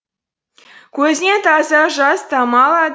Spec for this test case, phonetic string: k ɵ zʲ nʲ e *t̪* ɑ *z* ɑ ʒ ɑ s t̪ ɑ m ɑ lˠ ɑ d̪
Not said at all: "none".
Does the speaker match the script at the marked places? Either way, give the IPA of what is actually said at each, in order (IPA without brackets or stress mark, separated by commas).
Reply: t̪, z